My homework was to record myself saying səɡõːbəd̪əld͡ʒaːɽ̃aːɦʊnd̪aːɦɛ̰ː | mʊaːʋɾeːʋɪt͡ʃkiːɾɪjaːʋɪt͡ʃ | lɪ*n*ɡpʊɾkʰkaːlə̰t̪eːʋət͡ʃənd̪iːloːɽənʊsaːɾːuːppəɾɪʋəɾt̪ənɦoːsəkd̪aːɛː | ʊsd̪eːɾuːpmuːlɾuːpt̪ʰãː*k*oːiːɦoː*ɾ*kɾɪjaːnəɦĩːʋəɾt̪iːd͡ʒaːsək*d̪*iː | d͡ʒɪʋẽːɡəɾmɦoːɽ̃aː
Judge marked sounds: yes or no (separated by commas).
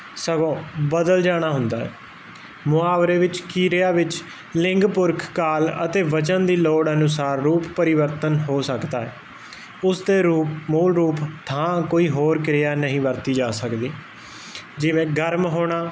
no, yes, yes, yes